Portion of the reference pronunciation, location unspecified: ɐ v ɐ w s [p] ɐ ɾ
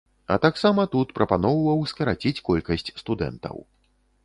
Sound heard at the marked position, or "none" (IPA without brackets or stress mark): k